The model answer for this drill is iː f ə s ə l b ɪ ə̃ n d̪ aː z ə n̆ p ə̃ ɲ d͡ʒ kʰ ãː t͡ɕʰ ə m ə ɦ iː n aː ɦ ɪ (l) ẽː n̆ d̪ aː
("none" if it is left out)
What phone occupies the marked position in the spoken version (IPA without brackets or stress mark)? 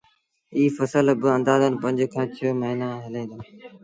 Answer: l